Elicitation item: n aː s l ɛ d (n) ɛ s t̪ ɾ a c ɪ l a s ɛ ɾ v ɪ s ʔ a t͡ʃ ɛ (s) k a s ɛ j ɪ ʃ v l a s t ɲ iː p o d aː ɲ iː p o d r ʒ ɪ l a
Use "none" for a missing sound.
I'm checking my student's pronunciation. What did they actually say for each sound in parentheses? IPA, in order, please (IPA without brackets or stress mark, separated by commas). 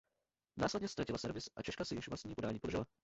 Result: ɲ, ʃ